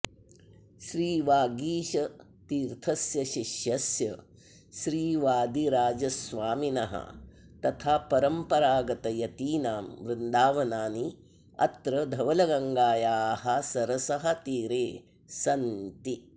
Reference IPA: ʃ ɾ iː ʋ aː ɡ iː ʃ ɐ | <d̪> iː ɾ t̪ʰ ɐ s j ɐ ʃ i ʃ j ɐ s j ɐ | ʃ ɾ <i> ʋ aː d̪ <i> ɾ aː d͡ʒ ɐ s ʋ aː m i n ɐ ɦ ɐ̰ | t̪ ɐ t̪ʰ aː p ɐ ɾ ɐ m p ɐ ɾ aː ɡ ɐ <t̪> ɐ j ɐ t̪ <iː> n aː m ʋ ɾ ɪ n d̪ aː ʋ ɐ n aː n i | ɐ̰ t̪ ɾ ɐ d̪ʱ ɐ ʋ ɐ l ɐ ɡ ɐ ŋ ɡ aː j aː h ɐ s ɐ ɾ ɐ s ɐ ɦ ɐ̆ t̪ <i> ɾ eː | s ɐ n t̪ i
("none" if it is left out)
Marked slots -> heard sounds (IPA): t̪, iː, i, t̪, iː, iː

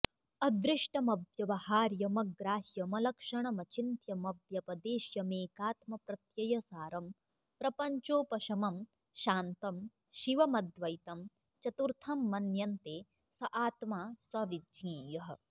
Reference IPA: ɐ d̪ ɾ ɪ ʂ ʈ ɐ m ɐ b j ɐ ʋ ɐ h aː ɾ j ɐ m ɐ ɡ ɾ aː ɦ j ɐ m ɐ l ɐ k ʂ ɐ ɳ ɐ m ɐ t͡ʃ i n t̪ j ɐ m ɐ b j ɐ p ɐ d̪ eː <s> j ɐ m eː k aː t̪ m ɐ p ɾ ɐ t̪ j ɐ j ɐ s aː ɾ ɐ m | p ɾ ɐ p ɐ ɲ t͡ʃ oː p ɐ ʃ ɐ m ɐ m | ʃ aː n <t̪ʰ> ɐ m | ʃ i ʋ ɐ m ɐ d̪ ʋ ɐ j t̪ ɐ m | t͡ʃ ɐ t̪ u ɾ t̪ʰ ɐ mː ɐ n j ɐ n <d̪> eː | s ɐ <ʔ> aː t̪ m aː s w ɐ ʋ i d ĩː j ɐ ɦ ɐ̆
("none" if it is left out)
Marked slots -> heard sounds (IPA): ʃ, t̪, t̪, ʔ

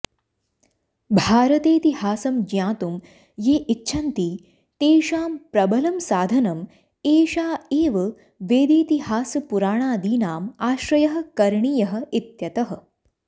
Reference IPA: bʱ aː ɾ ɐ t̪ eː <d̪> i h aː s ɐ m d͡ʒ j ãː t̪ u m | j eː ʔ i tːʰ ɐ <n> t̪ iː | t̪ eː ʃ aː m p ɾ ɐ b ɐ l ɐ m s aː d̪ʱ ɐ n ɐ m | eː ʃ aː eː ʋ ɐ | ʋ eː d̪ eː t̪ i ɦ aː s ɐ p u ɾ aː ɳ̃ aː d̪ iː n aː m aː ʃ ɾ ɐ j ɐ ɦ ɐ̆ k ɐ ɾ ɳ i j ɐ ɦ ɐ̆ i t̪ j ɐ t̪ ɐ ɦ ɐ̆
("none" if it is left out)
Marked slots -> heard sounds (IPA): t̪, n

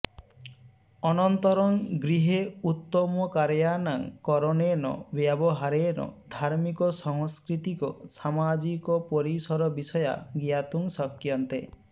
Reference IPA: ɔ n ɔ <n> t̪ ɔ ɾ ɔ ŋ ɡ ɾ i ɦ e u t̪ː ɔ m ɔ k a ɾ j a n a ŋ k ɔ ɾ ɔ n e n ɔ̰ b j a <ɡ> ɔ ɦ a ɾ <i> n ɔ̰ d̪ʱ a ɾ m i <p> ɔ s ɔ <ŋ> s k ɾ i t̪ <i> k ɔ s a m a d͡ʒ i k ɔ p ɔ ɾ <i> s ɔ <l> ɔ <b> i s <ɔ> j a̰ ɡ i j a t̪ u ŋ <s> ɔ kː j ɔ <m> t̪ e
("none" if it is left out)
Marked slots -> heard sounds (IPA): n, b, e, k, ŋ, i, i, ɾ, b, ɔ, s, n

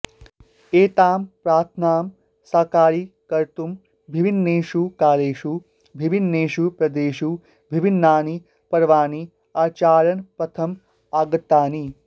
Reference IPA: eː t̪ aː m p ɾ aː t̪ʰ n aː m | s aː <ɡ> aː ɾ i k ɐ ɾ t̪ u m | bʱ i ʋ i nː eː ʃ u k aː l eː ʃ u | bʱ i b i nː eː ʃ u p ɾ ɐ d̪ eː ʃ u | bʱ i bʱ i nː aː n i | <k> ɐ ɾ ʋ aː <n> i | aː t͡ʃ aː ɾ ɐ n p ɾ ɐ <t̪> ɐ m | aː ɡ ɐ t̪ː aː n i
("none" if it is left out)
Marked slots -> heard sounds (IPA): k, p, n, t̪ʰ

